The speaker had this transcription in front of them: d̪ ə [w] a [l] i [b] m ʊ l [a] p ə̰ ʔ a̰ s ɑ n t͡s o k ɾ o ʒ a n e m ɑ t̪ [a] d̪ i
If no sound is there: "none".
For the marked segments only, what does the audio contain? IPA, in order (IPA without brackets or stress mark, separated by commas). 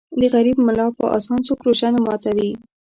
ɣ, ɾ, b, ɑ, a